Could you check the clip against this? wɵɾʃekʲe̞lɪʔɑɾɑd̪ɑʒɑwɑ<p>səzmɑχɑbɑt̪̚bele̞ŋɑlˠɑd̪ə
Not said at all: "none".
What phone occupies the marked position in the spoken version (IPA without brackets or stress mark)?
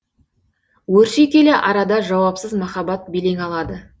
p